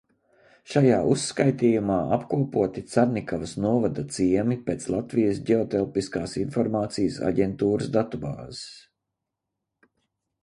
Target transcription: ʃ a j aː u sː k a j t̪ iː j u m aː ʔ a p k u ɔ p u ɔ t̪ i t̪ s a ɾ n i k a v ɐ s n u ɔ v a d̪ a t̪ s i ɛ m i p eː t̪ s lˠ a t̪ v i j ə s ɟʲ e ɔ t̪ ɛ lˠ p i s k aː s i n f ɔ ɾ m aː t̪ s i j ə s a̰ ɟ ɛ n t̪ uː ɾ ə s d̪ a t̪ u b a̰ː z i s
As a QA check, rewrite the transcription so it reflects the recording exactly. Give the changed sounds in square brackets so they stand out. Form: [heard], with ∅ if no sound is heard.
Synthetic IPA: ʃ a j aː u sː k a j t̪ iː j u m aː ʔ a p k u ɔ p u ɔ t̪ i t̪ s a ɾ n i k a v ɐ s n u ɔ v a d̪ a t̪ s i ɛ m i p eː t̪ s lˠ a t̪ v i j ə s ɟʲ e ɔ t̪ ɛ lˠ p i s k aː s i n f ɔ ɾ m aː t̪ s i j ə s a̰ ɟ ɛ n t̪ uː ɾ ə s d̪ a t̪ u b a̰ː z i s